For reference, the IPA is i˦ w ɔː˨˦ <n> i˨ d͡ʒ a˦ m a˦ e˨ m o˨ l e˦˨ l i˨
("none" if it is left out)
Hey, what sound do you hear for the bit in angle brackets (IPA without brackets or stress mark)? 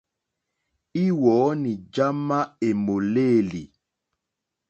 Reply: n